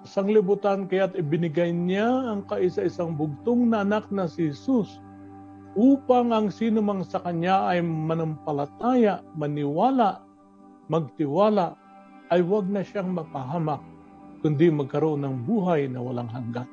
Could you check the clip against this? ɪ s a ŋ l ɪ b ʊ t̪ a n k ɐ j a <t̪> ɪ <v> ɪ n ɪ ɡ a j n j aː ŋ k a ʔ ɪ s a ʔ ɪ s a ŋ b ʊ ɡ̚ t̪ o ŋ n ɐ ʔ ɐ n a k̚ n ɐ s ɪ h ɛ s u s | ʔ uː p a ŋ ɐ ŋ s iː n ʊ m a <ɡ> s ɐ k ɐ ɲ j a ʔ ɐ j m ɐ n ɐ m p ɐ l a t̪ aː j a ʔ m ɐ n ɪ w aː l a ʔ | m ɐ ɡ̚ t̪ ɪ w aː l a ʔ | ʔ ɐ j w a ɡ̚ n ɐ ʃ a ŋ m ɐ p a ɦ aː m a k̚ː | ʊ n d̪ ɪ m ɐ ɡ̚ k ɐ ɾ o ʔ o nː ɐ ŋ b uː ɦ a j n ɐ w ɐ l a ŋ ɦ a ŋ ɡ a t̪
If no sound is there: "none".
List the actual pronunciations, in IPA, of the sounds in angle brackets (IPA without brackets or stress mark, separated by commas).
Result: t̪, b, ŋ